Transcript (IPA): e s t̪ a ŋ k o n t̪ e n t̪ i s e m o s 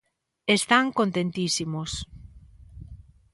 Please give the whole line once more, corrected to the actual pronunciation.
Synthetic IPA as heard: e s t̪ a ŋ k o n t̪ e n t̪ i s i m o s